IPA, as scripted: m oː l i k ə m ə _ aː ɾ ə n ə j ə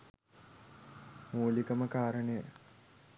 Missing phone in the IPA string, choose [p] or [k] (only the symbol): k